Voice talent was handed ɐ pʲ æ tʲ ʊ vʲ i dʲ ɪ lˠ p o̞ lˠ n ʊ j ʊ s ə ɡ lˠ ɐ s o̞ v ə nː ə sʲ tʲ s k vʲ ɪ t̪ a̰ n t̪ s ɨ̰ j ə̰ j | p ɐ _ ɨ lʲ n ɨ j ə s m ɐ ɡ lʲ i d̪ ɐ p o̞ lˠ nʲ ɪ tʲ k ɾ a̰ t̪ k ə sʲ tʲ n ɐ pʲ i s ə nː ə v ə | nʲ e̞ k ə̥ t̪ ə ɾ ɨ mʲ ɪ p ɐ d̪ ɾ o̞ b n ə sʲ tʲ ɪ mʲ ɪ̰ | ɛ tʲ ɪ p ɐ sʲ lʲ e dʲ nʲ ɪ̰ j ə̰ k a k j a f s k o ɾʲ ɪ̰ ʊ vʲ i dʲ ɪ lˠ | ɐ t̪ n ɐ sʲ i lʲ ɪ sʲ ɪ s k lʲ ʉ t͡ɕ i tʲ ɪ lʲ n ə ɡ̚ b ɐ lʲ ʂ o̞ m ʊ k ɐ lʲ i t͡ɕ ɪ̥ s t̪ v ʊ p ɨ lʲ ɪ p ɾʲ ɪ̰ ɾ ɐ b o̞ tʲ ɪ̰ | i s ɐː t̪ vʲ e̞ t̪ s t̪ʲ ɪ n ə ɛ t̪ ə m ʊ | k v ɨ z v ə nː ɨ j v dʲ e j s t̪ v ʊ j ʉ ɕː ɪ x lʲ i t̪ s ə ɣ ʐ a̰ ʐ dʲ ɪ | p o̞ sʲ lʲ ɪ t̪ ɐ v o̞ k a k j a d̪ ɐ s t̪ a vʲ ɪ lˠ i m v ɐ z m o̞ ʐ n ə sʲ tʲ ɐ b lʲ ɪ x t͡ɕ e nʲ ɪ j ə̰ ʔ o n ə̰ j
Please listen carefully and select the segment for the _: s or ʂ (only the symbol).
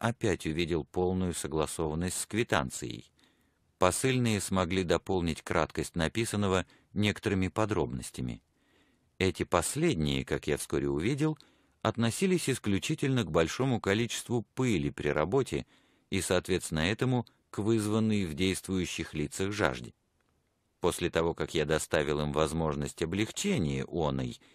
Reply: s